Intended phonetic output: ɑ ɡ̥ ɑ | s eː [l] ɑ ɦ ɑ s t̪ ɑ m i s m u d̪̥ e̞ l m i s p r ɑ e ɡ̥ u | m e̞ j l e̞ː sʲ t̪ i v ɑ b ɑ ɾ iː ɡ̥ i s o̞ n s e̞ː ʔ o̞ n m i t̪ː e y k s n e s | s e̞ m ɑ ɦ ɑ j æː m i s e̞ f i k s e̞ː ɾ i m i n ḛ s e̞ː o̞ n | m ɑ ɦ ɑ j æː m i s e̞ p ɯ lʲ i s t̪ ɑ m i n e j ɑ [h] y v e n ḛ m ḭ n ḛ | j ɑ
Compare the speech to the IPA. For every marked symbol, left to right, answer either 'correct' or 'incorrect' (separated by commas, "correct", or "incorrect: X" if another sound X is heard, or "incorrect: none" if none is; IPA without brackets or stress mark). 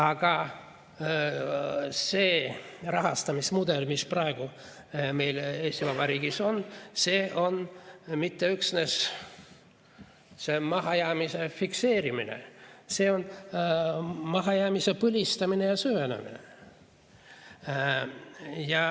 incorrect: r, incorrect: s